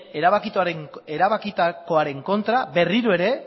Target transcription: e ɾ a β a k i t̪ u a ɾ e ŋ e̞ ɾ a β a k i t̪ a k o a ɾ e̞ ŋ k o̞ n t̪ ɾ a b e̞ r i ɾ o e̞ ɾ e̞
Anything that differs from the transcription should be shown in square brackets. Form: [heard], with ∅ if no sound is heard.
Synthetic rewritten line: e ɾ a β a k i t̪ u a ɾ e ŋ e̞ ɾ a β a k i t̪ a k o a ɾ e̞ ŋ k o̞ n t̪ ɾ a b e̞ r i ɾ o e̞ ɾ e̞